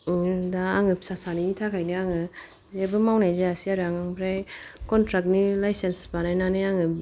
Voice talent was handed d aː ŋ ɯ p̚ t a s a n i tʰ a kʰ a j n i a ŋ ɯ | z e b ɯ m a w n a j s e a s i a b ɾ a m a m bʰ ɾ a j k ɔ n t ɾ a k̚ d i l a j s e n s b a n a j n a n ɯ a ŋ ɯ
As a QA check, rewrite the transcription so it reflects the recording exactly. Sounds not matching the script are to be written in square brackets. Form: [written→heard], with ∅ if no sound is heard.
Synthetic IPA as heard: d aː ŋ ɯ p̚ [t→s] a s a n i tʰ a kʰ a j n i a ŋ ɯ | z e b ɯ m a w n a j [s→z] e a s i a [b→∅] ɾ a [m→ŋ] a [m→ŋ] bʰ ɾ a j k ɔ n t ɾ a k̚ [d→n] i l a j s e n s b a n a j n a n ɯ a ŋ ɯ